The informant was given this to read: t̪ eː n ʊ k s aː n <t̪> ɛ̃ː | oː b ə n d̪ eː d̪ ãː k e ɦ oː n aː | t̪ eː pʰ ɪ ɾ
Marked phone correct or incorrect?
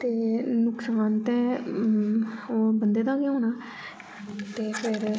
correct